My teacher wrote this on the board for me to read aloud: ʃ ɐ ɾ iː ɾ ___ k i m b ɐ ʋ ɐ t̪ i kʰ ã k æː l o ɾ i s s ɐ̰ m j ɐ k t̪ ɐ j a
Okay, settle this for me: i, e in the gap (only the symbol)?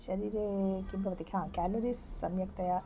e